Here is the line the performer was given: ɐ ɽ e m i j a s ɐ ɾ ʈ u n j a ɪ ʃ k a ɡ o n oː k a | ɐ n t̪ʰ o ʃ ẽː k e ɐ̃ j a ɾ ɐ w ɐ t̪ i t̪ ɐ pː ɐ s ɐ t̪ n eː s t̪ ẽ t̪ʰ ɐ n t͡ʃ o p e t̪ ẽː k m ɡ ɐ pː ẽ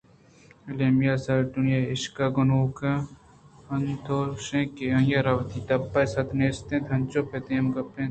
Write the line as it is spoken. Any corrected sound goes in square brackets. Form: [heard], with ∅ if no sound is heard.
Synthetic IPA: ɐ [l] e m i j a s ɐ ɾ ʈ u n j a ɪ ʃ k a ɡ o n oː k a | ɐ n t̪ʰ o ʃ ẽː k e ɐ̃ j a ɾ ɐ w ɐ t̪ i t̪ ɐ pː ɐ s ɐ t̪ n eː s t̪ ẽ t̪ʰ ɐ n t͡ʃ o p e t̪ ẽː [∅] m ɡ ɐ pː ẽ